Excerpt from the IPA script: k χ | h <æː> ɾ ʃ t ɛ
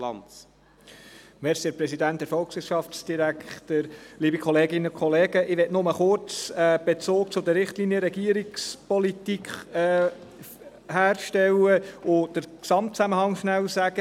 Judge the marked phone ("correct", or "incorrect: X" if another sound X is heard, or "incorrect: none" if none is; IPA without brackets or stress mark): correct